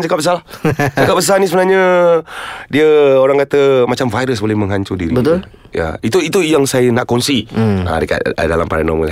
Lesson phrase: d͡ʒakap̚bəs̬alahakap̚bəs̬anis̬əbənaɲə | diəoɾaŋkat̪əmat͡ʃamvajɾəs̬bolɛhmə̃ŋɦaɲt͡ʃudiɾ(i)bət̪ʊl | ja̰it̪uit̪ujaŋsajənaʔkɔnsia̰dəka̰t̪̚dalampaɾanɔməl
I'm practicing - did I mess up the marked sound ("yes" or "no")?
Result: no